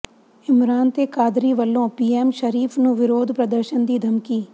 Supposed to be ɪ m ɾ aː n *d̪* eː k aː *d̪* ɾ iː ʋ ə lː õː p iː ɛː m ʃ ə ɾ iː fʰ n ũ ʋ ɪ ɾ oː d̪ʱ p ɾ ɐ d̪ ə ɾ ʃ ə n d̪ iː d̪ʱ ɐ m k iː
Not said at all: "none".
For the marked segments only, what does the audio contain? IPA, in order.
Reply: t̪, d̪

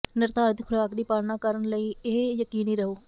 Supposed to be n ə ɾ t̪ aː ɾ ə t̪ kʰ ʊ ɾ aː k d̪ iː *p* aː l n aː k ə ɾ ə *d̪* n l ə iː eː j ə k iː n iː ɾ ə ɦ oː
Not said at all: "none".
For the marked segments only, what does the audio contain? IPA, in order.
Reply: p, none

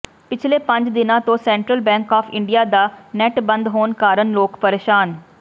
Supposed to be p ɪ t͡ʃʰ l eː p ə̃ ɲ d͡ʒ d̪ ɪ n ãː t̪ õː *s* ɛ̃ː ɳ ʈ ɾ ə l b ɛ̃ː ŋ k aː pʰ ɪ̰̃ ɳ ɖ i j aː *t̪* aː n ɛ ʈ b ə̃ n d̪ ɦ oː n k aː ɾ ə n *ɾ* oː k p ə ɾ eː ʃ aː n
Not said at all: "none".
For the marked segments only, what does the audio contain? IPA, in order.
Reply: s, d̪, l

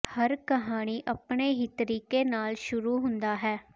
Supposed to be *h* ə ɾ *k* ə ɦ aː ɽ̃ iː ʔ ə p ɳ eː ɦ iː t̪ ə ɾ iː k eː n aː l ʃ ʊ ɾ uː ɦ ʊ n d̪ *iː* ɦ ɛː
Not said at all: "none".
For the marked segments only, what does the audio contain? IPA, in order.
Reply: h, k, aː

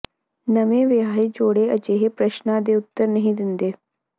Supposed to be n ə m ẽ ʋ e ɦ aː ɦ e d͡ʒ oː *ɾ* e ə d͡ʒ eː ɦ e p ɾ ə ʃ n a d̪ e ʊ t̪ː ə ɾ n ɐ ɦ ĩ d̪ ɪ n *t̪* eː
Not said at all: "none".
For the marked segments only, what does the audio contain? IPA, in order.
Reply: ɽ, d̪

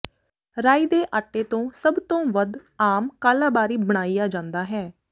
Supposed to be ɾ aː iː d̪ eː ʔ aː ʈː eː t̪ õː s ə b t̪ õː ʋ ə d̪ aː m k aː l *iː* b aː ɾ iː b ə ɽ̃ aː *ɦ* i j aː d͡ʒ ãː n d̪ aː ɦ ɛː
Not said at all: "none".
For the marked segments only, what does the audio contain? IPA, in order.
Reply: aː, none

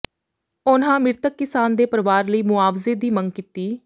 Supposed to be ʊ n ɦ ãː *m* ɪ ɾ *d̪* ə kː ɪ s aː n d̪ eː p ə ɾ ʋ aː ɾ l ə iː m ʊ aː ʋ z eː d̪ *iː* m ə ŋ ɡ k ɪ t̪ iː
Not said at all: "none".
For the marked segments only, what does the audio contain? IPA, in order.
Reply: m, t̪, iː

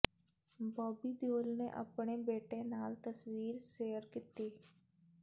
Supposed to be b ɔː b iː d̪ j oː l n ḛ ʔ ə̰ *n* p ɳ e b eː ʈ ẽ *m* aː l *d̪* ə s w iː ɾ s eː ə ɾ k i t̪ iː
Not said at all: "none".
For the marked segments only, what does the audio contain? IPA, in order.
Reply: none, n, t̪

